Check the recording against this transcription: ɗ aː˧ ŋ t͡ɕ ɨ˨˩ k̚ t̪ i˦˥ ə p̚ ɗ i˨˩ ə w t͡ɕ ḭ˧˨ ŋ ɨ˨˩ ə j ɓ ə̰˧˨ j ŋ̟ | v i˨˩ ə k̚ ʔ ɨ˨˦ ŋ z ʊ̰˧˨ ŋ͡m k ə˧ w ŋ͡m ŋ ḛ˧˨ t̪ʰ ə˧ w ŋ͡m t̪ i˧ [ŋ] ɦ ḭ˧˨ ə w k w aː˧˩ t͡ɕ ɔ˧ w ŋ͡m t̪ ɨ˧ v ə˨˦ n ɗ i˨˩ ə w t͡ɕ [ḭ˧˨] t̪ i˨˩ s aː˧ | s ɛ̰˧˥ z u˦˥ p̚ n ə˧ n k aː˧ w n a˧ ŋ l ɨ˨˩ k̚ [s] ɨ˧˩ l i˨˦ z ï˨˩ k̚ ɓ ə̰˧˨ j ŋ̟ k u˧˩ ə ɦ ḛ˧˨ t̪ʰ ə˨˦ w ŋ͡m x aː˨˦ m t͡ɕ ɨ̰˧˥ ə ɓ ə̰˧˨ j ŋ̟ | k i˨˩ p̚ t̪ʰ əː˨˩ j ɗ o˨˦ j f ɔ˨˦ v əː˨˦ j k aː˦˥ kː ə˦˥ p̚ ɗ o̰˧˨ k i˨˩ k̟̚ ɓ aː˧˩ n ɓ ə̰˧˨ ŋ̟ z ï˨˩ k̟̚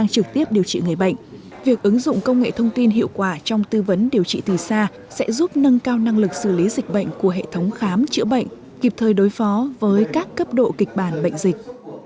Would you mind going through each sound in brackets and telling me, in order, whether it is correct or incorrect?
incorrect: n, correct, correct

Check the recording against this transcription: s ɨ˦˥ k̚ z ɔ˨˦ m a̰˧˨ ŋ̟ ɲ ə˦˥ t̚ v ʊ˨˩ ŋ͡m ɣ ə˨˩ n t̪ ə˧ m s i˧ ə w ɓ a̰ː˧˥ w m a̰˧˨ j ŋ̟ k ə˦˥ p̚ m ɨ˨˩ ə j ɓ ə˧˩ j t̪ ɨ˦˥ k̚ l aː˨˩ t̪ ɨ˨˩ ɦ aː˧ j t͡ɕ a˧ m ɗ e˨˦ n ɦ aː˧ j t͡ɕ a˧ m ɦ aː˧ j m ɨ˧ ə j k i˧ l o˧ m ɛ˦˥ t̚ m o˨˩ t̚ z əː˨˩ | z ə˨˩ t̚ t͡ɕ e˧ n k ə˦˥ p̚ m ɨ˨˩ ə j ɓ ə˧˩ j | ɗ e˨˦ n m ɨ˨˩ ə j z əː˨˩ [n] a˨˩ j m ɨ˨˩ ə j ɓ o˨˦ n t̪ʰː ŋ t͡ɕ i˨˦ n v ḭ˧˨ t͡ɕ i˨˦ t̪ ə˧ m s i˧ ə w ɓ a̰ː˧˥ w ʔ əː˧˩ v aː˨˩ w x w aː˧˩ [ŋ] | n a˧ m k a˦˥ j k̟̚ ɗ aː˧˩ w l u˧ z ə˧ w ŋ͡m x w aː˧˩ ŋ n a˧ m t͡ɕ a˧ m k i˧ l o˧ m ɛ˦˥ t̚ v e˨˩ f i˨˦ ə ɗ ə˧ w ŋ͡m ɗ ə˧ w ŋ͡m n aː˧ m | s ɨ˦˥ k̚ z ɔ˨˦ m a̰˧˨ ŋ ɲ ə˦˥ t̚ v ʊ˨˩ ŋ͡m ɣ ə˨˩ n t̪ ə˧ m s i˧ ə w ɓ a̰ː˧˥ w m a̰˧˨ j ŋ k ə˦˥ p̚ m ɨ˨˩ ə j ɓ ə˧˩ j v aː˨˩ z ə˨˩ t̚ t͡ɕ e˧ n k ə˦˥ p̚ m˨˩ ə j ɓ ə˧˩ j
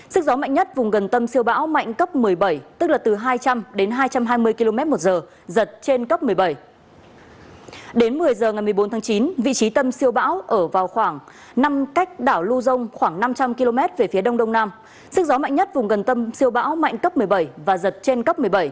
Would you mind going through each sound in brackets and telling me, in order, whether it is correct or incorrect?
incorrect: ŋ, correct

